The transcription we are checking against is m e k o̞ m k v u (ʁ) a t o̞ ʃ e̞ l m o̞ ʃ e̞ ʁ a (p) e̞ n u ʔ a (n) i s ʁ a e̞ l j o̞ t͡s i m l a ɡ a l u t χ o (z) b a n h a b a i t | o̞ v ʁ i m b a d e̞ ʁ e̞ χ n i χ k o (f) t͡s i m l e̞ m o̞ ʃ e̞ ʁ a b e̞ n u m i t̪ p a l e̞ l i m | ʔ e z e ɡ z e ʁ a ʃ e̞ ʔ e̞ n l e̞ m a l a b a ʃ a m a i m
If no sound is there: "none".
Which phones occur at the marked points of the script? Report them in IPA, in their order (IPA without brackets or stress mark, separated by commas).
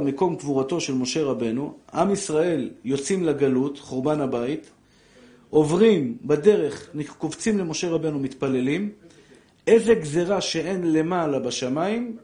ʁ, b, m, ʁ, v